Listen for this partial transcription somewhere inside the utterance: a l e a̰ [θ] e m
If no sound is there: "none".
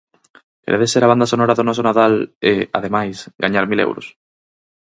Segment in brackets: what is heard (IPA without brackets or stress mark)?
ð